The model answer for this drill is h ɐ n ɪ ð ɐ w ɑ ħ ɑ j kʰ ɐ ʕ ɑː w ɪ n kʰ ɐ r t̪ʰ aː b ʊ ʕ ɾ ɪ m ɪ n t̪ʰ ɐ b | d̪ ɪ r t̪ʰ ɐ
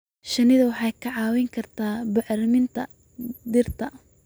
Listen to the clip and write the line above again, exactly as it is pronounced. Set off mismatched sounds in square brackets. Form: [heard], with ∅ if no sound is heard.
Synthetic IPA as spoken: [ʃ] ɐ n ɪ ð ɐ w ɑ ħ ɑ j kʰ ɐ ʕ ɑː w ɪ [ŋ] kʰ ɐ r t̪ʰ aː b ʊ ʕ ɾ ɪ m ɪ n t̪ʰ ɐ [∅] | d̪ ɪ r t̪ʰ ɐ